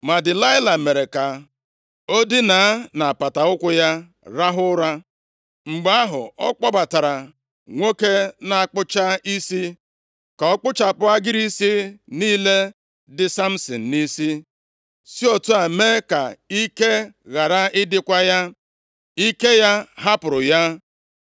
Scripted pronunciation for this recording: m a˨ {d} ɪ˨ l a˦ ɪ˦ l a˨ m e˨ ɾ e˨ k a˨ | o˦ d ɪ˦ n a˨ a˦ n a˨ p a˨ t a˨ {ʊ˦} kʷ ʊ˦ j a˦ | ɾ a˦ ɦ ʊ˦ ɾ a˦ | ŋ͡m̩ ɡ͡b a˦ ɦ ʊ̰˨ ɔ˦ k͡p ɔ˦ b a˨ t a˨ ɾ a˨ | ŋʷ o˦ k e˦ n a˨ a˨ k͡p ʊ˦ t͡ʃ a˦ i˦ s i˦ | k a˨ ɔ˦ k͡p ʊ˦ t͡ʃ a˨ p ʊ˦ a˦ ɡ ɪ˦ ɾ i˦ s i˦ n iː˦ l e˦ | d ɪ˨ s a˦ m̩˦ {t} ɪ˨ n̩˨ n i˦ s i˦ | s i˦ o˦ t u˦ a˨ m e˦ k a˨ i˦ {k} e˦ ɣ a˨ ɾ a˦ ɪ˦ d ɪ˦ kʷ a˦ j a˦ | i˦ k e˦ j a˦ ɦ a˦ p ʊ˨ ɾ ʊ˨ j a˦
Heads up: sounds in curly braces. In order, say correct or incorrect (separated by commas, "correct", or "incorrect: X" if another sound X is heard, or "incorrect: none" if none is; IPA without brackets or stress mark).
correct, correct, incorrect: s, correct